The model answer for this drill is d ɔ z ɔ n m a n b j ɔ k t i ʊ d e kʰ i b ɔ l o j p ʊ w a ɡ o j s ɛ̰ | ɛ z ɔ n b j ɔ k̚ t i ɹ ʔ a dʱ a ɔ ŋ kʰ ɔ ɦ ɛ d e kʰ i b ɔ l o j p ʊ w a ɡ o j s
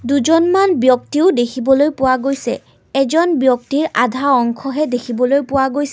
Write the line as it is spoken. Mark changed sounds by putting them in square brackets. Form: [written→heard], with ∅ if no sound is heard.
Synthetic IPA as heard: d [ɔ→u] z ɔ n m a n b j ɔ k t i ʊ d e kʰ i b ɔ l o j p ʊ w a ɡ o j s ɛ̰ | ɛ z ɔ n b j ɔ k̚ t i ɹ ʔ a dʱ a ɔ ŋ kʰ ɔ ɦ ɛ d e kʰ i b ɔ l o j p ʊ w a ɡ o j s